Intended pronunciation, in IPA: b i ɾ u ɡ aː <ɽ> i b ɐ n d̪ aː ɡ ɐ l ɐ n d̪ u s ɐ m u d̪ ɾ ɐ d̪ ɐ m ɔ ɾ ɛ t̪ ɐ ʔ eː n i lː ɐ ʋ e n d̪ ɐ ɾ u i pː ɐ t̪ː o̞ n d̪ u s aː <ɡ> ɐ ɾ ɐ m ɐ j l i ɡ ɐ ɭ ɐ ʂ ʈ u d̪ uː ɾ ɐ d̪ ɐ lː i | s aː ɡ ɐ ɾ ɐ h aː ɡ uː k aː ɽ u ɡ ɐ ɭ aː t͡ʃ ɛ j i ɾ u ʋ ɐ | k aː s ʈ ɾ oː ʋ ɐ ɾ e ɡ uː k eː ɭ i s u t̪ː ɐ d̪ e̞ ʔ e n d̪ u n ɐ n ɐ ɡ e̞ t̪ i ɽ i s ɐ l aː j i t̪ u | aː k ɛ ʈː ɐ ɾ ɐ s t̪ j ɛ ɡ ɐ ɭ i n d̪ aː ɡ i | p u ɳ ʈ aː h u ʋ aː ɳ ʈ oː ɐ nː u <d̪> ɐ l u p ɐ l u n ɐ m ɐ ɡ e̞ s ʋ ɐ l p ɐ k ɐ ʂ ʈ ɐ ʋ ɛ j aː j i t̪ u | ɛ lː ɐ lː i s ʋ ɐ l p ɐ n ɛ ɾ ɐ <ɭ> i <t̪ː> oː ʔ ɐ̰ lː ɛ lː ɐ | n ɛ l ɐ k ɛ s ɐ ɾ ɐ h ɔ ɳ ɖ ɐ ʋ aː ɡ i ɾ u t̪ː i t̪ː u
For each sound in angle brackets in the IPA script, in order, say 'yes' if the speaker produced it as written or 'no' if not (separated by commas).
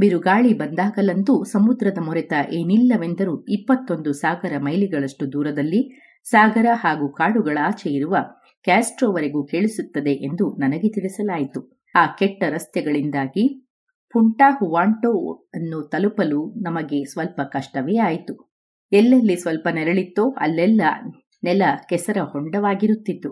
no, yes, no, yes, yes